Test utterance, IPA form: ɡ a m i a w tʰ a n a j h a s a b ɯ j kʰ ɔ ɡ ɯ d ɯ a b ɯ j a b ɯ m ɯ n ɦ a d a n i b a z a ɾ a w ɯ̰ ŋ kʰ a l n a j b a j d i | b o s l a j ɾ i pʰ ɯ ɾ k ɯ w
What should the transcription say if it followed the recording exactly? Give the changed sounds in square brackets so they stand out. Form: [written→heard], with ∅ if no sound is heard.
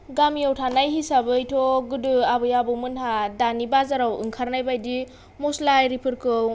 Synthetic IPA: ɡ a m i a w tʰ a n a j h [a→i] s a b ɯ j [kʰ→tʰ] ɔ ɡ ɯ d ɯ a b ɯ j a b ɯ m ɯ n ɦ a d a n i b a z a ɾ a w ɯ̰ ŋ kʰ a [l→ɾ] n a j b a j d i | [b→m] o s l a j ɾ i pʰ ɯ ɾ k ɯ w